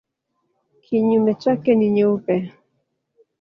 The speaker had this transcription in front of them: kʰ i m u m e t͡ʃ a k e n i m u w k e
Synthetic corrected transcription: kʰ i ɲ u m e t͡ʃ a k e n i ɲ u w p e